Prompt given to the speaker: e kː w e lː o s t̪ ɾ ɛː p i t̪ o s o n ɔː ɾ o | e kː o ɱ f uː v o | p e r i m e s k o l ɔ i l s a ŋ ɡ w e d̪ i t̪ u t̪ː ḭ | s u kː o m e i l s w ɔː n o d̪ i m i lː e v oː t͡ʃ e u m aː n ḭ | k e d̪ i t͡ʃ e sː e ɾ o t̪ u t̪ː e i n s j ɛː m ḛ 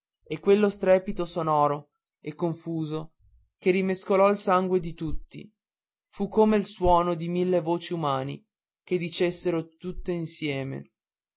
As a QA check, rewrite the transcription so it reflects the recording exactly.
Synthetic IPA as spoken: e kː w e lː o s t̪ ɾ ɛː p i t̪ o s o n ɔː ɾ o | e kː o ɱ f uː z o | k e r i m e s k o l ɔ i l s a ŋ ɡ w e d̪ i t̪ u t̪ː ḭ | f u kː o m e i l s w ɔː n o d̪ i m i lː e v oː t͡ʃ i u m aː n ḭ | k e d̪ i t͡ʃ e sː e ɾ o t̪ u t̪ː e i n s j ɛː m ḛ

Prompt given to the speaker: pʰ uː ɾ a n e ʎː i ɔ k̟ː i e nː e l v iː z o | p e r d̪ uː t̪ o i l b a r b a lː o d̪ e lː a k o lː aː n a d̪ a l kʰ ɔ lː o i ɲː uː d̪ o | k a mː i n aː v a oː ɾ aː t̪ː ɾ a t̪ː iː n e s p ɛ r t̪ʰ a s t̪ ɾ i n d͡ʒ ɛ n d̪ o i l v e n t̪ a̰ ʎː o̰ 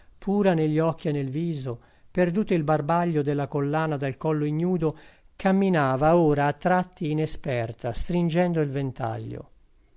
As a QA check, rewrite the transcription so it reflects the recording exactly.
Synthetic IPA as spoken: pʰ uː ɾ a n e ʎː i ɔ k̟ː i e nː e l v iː z o | p e r d̪ uː t̪ o i l b a r b a ʎː o d̪ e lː a k o lː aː n a d̪ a l k ɔ lː o i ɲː uː d̪ o | k a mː i n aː v a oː ɾ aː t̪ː ɾ a t̪ː iː n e s p ɛ r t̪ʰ a s t̪ ɾ i n d͡ʒ ɛ n d̪ o i l v e n t̪ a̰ ʎː o̰

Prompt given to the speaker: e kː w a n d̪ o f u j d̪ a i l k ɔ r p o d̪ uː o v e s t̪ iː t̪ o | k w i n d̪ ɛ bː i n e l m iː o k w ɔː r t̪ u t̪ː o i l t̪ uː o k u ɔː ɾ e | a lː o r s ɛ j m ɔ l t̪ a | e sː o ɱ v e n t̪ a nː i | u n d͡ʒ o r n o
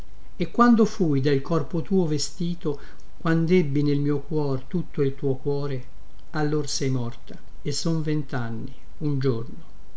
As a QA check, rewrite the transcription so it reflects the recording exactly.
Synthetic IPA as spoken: e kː w a n d̪ o f u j d̪ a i l k ɔ r p o t̪ uː o v e s t̪ iː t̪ o | k w a n d̪ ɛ bː i n e l m iː o k w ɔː r t̪ u t̪ː o i l t̪ uː o k w ɔː ɾ e | a lː o r s ɛ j m ɔ r t̪ a | e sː o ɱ v e n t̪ a nː i | u n d͡ʒ o r n o

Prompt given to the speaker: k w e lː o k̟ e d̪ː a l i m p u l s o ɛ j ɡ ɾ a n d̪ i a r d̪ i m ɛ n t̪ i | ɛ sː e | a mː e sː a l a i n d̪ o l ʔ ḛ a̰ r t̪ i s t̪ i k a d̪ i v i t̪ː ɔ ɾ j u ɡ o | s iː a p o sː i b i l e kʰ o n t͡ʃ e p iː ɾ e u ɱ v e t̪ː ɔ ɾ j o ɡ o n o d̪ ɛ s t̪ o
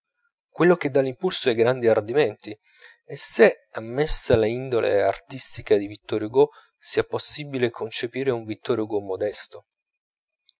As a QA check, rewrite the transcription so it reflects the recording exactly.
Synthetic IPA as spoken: k w e lː o k̟ e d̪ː a l i m p u l s o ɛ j ɡ ɾ a n d̪ i a r d̪ i m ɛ n t̪ i | ɛ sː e | a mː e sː a l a i n d̪ o l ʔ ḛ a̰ r t̪ i s t̪ i k a d̪ i v i t̪ː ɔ ɾ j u ɡ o | s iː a p o sː i b i l e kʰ o n t͡ʃ e p iː ɾ e u ɱ v i t̪ː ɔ ɾ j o ɡ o m o d̪ ɛ s t̪ o

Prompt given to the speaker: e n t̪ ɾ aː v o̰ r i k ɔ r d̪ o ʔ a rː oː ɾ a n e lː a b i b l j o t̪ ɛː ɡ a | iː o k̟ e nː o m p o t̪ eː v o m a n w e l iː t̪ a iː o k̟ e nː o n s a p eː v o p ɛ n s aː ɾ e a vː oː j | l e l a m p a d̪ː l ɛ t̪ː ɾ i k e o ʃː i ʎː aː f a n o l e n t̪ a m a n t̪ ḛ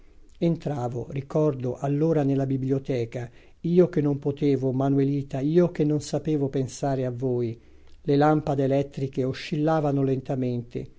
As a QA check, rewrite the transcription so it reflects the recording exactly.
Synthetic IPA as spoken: e n t̪ ɾ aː v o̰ r i k ɔ r d̪ o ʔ a lː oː ɾ a n e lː a b i b l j o t̪ ɛː k a | iː o k̟ e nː o m p o t̪ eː v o m a n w e l iː t̪ a iː o k̟ e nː o n s a p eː v o p e n s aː ɾ e a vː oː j | l e l a m p a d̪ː l ɛ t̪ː ɾ i k e o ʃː i lː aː v a n o l e n t̪ a m e n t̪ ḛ

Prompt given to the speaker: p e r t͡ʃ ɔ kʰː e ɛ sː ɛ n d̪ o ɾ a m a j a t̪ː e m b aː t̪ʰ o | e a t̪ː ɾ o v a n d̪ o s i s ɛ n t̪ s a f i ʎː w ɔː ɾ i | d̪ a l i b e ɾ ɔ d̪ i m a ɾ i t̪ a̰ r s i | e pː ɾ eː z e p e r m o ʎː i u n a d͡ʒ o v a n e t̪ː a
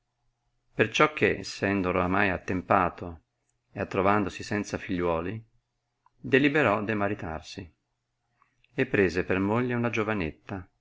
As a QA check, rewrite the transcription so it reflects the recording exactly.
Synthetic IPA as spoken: p e r t͡ʃ ɔ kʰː e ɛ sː ɛ n d̪ o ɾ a m a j a t̪ː e m p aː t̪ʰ o | e a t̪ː ɾ o v a n d̪ o s i s ɛ n t̪ s a f i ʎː w ɔː l i | d̪ e l i b e ɾ ɔ d̪ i m a ɾ i t̪ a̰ r s i | e pː ɾ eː z e p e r m o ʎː e u n a d͡ʒ o v a n e t̪ː a

